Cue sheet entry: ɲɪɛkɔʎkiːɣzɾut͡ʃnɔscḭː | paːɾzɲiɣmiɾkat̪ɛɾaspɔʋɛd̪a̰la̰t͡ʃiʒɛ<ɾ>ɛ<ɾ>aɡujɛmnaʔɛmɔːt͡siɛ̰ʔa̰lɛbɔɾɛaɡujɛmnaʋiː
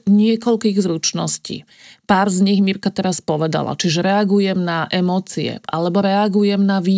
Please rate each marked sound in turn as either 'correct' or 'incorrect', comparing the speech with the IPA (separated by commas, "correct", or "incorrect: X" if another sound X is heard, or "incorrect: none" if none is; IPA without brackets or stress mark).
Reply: correct, incorrect: none